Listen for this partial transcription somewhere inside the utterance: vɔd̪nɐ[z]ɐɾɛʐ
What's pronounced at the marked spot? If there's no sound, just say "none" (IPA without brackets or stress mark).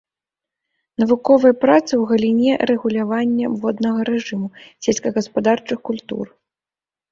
ɣ